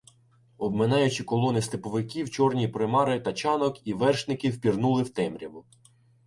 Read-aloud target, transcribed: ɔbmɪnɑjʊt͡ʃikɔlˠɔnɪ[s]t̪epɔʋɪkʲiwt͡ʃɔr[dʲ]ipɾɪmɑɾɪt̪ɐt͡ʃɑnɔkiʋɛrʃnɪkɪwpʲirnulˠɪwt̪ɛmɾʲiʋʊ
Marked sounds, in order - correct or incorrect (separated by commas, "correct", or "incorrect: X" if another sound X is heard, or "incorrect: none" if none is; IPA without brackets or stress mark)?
correct, incorrect: nʲ